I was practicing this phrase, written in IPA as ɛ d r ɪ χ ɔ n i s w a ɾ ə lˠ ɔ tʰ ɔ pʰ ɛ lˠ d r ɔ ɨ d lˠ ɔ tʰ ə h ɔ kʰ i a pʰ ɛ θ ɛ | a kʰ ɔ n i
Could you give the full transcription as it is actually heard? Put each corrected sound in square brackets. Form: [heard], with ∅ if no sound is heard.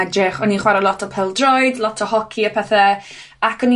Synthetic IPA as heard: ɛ d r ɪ χ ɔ n i [χ] w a ɾ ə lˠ ɔ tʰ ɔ pʰ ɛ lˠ d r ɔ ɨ d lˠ ɔ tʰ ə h ɔ kʰ i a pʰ ɛ θ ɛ | a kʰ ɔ n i

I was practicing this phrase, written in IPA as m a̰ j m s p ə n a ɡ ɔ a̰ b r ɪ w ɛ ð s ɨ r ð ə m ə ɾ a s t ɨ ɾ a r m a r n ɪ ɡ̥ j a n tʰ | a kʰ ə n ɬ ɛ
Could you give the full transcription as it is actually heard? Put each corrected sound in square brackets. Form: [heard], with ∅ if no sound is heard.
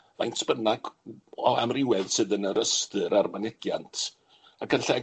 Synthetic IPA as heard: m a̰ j [n] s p ə n a ɡ ɔ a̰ [m] r ɪ w ɛ ð s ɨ [∅] ð ə [n] ə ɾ [ə] s t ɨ ɾ a r m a [∅] n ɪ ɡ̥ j a n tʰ | a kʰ ə n ɬ ɛ

